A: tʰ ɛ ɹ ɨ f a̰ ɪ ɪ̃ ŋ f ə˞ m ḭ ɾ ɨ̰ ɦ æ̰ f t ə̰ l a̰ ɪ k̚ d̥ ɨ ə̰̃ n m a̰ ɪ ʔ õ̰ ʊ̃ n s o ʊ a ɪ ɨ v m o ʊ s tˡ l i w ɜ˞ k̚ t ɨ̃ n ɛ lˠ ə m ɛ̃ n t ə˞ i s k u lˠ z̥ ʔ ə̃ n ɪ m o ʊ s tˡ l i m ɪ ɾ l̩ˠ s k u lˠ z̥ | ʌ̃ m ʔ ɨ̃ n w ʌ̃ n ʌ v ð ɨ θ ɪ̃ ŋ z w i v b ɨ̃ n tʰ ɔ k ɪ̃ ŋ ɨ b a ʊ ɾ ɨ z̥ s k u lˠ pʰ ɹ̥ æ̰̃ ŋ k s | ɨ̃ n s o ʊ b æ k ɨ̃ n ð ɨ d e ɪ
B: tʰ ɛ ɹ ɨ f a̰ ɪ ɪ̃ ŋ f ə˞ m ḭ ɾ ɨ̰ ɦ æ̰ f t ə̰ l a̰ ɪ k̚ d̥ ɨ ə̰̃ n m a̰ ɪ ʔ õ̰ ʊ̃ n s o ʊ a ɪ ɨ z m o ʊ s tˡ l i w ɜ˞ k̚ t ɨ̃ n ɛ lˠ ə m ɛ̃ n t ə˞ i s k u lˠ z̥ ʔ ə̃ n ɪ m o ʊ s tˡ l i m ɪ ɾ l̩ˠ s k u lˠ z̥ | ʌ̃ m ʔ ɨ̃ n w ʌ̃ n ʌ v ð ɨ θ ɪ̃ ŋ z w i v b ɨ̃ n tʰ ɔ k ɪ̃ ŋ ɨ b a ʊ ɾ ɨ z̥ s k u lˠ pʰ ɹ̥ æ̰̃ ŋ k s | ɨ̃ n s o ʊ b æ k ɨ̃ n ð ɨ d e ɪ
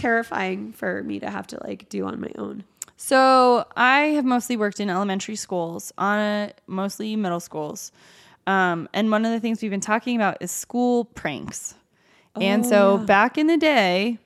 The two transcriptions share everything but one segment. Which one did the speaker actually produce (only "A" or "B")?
A